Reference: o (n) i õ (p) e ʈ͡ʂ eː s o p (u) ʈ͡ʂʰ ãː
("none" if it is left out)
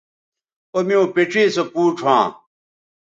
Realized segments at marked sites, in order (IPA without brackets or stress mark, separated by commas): m, p, uː